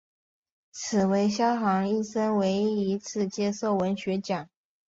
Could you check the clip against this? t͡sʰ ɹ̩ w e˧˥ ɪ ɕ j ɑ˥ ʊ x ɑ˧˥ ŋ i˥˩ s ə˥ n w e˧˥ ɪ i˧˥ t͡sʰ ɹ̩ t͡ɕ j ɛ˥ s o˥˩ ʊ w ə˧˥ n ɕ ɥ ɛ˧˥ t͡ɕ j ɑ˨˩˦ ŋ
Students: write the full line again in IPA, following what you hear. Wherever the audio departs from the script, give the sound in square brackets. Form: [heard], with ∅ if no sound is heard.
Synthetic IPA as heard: t͡sʰ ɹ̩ w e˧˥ ɪ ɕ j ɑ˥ ʊ x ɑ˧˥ ŋ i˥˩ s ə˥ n w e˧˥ ɪ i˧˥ t͡sʰ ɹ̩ t͡ɕ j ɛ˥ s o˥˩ ʊ w ə˧˥ n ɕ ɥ ɛ˧˥ t͡ɕ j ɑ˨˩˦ ŋ

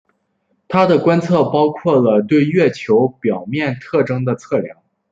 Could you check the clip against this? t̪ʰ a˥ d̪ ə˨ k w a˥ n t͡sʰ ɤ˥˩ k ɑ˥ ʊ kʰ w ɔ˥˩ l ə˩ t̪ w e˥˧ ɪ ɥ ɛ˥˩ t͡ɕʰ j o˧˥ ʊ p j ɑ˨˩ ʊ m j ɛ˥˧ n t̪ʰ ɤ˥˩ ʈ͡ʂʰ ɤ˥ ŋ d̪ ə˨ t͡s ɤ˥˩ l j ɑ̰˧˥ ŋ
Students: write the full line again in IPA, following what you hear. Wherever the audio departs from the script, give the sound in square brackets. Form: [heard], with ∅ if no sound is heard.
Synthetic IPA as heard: t̪ʰ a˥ d̪ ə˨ k w a˥ n t͡sʰ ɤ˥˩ [p] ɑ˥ ʊ kʰ w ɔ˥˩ l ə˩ t̪ w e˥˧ ɪ ɥ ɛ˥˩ t͡ɕʰ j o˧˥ ʊ p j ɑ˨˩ ʊ m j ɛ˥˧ n t̪ʰ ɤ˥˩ [ʈ͡ʂ] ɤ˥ ŋ d̪ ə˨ [t͡sʰ] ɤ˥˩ l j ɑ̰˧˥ ŋ

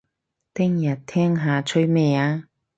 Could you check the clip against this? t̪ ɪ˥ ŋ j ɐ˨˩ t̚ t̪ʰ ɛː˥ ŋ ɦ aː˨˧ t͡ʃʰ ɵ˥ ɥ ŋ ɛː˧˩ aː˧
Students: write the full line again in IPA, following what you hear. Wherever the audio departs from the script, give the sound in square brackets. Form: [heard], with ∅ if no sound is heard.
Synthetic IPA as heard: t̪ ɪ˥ ŋ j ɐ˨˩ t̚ t̪ʰ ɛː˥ ŋ ɦ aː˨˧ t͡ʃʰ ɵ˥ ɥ [m] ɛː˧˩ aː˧

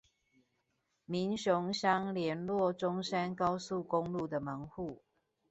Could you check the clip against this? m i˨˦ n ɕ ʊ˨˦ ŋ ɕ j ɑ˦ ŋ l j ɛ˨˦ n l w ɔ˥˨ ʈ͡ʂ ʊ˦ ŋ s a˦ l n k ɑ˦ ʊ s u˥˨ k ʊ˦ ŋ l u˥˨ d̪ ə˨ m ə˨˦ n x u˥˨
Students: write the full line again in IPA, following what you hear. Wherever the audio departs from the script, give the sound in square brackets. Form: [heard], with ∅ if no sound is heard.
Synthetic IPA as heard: m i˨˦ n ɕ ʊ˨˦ ŋ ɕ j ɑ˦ ŋ l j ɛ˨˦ n l w ɔ˥˨ ʈ͡ʂ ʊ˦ ŋ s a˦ [∅] n k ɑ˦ ʊ s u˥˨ k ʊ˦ ŋ l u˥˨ d̪ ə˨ m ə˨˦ [ŋ] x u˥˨

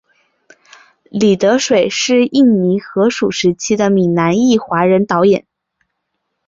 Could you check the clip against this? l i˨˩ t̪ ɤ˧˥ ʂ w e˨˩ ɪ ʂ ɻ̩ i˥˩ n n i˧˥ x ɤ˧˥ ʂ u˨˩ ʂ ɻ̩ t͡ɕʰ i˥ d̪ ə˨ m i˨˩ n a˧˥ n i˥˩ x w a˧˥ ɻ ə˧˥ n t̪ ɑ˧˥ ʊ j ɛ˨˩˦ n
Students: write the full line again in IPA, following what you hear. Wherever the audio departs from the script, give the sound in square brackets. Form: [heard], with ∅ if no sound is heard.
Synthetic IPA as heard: l i˨˩ t̪ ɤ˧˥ ʂ w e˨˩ ɪ ʂ ɻ̩ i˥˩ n n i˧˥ x ɤ˧˥ ʂ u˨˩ ʂ ɻ̩ t͡ɕʰ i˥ d̪ ə˨ m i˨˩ n a˧˥ n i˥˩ x w a˧˥ ɻ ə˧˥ n t̪ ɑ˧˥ ʊ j ɛ˨˩˦ n

